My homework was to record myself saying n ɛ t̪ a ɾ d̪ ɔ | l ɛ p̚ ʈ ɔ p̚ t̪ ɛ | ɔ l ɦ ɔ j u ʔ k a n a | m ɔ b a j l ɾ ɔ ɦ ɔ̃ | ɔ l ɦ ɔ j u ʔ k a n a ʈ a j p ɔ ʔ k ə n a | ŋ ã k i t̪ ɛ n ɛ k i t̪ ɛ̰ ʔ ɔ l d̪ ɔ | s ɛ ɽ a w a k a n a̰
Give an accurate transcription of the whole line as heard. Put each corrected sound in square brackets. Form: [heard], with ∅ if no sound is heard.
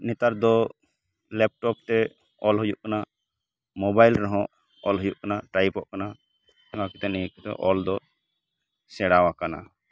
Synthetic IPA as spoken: n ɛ t̪ a ɾ d̪ ɔ | l ɛ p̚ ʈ ɔ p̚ t̪ ɛ | ɔ l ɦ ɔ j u ʔ k a n a | m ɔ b a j l ɾ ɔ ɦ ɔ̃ | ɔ l ɦ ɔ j u ʔ k a n a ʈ a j p ɔ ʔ k [a] n a | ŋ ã k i t̪ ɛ n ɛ k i t̪ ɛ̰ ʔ ɔ l d̪ ɔ | s ɛ ɽ a w a k a n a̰

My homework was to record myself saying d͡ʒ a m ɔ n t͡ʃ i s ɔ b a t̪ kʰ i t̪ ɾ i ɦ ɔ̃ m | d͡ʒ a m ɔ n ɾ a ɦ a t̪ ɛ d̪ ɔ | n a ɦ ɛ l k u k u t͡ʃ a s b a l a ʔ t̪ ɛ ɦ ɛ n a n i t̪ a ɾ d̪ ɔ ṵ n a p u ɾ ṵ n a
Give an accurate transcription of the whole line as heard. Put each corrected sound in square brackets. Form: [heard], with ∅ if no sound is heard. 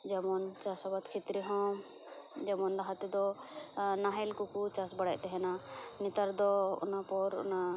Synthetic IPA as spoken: d͡ʒ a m ɔ n t͡ʃ [a] s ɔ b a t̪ kʰ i t̪ ɾ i ɦ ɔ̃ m | d͡ʒ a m ɔ n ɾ a ɦ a t̪ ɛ d̪ ɔ | n a ɦ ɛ l k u k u t͡ʃ a s b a [ɽ] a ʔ t̪ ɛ ɦ ɛ n a n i t̪ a ɾ d̪ ɔ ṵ n a p [ɔ] ɾ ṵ n a

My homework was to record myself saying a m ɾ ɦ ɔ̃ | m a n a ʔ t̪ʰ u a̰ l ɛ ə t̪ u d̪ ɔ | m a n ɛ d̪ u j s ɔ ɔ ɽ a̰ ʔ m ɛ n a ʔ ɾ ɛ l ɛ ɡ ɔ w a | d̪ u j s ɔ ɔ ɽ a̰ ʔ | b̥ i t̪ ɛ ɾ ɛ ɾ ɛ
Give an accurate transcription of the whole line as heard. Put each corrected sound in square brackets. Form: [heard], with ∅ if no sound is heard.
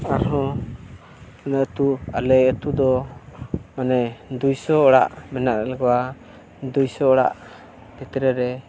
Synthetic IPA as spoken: a [∅] ɾ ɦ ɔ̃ | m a n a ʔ [t̪] u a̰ l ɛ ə t̪ u d̪ ɔ | m a n ɛ d̪ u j s ɔ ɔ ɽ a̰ ʔ m ɛ n a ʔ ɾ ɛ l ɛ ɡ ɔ w a | d̪ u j s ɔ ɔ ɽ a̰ ʔ | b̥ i t̪ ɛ ɾ ɛ ɾ ɛ

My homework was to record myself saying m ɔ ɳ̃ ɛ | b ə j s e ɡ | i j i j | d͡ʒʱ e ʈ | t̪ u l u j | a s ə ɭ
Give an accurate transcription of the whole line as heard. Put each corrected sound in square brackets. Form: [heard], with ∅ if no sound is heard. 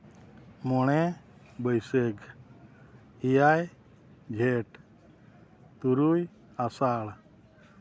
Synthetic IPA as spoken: m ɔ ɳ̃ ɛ | b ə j s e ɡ | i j [a] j | d͡ʒʱ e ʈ | t̪ u [ɾ] u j | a s [a] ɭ

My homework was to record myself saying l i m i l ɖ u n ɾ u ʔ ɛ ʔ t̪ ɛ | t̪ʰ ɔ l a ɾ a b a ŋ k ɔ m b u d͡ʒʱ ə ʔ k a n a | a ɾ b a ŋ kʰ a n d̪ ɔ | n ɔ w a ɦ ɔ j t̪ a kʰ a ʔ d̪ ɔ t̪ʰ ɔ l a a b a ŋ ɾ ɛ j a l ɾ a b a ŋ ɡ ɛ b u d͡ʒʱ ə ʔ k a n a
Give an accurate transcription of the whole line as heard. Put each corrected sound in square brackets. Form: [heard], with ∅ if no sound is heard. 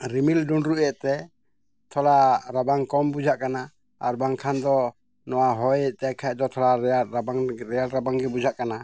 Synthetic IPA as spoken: [ɾ] i m i l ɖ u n ɾ u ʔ ɛ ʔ t̪ ɛ | t̪ʰ ɔ l a ɾ a b a ŋ k ɔ m b u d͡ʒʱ [a] ʔ k a n a | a ɾ b a ŋ kʰ a n d̪ ɔ | n ɔ w a ɦ ɔ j t̪ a kʰ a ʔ d̪ ɔ t̪ʰ ɔ l a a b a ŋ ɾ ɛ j a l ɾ a b a ŋ ɡ ɛ b u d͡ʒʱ [a] ʔ k a n a

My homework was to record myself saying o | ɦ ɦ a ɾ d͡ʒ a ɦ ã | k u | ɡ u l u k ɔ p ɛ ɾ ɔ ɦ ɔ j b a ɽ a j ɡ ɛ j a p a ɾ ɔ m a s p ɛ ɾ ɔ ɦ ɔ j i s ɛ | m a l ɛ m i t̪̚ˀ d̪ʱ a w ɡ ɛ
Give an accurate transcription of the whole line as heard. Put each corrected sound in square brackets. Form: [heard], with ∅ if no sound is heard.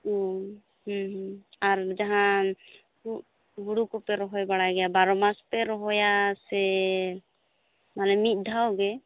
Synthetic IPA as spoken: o | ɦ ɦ a ɾ d͡ʒ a ɦ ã | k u | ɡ u [ɽ] u k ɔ p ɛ ɾ ɔ ɦ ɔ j b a ɽ a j ɡ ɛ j a [b] a ɾ ɔ m a s p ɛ ɾ ɔ ɦ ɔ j [a] s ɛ | m a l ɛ m i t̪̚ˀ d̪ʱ a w ɡ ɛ

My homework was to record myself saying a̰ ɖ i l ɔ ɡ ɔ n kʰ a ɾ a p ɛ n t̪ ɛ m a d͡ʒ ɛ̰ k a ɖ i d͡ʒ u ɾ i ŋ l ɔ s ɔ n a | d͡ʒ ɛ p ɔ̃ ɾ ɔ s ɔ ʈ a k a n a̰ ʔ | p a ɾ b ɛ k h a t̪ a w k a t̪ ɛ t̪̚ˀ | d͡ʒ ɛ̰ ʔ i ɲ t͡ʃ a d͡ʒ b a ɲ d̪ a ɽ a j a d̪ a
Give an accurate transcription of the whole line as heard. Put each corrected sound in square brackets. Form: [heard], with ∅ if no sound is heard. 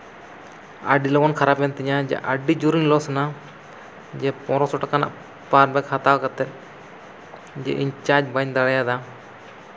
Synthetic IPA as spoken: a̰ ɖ i l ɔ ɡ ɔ n kʰ a ɾ a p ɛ n t̪ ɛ [ɲ] a d͡ʒ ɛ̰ [ʔ] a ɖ i d͡ʒ u ɾ i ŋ l ɔ s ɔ n a | d͡ʒ ɛ p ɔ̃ ɾ ɔ s ɔ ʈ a k a n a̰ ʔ | p a ɾ b ɛ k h a t̪ a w k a t̪ ɛ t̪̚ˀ | d͡ʒ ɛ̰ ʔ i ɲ t͡ʃ a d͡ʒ b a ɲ d̪ a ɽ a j a d̪ a

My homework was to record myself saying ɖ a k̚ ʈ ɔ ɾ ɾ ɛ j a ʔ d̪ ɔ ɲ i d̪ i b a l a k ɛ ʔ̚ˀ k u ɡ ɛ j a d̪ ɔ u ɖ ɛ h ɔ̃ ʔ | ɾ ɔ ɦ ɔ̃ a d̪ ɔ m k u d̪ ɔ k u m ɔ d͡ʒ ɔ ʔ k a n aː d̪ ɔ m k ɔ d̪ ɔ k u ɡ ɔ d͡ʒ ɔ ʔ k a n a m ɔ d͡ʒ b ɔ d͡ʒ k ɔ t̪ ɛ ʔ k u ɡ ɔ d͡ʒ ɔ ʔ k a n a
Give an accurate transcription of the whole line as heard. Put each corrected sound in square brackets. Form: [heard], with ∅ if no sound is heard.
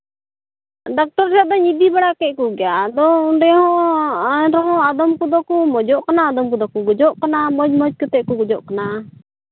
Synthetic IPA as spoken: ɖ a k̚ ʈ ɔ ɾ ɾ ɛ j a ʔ d̪ ɔ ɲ i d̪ i b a [ɽ] a k ɛ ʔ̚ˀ k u ɡ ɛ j a d̪ ɔ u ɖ ɛ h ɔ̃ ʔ | ɾ ɔ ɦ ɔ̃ a d̪ ɔ m k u d̪ ɔ k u m ɔ d͡ʒ ɔ ʔ k a n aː d̪ ɔ m k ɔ d̪ ɔ k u ɡ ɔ d͡ʒ ɔ ʔ k a n a m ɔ d͡ʒ [m] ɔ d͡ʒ k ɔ t̪ ɛ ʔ k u ɡ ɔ d͡ʒ ɔ ʔ k a n a

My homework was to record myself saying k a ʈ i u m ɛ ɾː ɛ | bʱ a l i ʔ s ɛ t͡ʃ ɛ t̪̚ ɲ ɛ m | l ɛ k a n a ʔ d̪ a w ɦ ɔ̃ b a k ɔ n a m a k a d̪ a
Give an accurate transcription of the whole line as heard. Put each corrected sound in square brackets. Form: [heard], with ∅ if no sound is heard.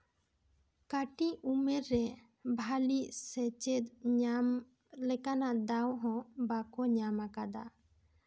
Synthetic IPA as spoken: k a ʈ i u m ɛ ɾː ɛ | bʱ a l i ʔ s ɛ t͡ʃ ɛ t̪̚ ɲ [a] m | l ɛ k a n a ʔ d̪ a w ɦ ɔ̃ b a k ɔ [ɲ] a m a k a d̪ a

